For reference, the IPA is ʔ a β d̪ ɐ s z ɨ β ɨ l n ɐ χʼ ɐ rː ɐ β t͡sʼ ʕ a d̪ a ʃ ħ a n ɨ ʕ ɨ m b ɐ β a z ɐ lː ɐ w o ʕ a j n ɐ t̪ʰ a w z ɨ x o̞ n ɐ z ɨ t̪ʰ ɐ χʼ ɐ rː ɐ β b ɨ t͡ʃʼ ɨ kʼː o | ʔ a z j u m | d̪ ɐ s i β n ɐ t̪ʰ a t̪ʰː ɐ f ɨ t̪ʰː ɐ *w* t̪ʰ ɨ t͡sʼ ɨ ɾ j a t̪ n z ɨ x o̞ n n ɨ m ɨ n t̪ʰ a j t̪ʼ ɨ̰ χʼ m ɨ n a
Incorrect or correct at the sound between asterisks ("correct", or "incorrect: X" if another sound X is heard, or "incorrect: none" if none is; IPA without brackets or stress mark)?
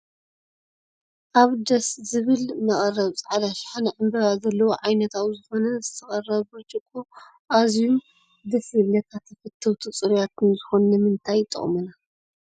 correct